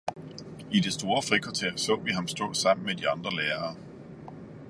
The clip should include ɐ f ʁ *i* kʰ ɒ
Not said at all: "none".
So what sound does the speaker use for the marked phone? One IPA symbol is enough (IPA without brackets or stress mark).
i